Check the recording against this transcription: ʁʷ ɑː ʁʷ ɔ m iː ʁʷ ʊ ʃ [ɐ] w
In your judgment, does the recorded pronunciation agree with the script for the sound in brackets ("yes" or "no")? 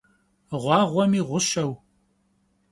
yes